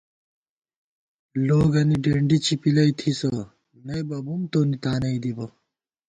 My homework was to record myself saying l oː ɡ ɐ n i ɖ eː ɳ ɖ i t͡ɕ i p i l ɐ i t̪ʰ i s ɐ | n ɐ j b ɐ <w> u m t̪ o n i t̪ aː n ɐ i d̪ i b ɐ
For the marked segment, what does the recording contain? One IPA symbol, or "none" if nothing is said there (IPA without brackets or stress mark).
b